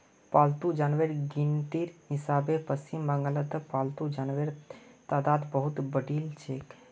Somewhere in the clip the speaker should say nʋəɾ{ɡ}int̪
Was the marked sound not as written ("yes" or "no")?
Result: no